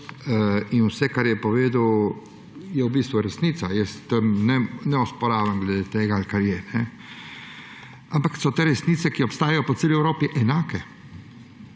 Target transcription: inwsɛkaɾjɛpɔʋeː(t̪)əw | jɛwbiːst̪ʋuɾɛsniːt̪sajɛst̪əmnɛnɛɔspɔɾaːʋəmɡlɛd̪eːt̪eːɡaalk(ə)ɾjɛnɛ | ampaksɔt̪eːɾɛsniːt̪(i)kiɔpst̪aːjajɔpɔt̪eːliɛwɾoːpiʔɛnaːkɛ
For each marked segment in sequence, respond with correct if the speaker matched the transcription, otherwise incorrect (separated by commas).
incorrect, incorrect, incorrect